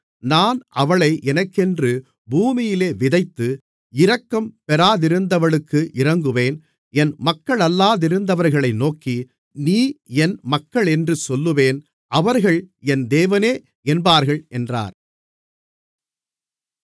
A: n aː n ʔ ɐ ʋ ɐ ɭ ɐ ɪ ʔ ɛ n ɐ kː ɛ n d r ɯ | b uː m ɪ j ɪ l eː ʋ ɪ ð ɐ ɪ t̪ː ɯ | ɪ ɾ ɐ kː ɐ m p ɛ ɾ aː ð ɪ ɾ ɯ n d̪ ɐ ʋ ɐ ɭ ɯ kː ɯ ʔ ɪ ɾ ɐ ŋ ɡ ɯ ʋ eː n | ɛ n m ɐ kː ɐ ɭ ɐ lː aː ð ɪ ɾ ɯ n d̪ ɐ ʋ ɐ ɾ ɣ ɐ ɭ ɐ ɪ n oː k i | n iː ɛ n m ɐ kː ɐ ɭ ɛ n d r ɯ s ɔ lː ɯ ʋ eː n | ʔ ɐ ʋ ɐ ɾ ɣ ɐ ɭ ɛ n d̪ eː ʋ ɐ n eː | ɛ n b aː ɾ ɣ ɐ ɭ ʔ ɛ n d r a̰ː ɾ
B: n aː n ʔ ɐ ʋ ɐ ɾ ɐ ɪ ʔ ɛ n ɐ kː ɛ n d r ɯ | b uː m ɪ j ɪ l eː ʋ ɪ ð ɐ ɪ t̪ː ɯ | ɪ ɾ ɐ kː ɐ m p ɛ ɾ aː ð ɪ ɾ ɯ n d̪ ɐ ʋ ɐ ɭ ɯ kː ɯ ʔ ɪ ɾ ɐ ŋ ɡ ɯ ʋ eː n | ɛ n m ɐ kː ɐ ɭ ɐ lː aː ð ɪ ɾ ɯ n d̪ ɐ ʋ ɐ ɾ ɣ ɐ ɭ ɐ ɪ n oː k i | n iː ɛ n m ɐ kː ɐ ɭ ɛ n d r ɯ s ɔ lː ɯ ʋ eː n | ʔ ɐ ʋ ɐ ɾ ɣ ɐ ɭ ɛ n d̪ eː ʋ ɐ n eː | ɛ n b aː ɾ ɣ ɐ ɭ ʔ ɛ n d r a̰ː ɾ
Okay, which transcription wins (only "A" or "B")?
A